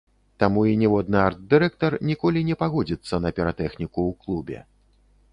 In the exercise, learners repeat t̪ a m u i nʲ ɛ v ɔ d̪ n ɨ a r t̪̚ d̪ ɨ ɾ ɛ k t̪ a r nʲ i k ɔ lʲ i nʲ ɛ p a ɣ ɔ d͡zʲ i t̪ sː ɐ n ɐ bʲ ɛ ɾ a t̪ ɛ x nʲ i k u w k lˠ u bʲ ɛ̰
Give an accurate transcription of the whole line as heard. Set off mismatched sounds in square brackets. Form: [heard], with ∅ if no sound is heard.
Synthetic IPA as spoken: t̪ a m u i nʲ ɛ v ɔ d̪ n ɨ a r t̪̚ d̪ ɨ ɾ ɛ k t̪ [ɐ] r nʲ i k ɔ lʲ i nʲ ɛ p a ɣ ɔ d͡zʲ i t̪ sː ɐ n ɐ [pʲ] ɛ ɾ a t̪ ɛ x nʲ i k u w k lˠ u bʲ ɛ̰